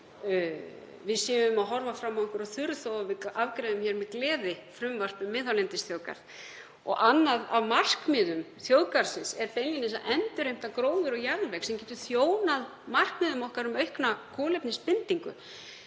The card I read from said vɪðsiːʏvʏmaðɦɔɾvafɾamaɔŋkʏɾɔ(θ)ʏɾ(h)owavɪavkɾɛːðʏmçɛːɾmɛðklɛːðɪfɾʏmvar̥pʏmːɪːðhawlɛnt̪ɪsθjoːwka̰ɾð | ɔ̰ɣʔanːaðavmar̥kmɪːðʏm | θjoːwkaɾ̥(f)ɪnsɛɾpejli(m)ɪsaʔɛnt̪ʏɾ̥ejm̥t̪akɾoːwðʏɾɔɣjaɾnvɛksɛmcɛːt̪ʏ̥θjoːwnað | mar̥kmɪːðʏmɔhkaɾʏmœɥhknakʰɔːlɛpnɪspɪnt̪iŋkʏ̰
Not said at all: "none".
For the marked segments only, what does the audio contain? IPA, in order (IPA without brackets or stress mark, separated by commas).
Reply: θ, θ, s, n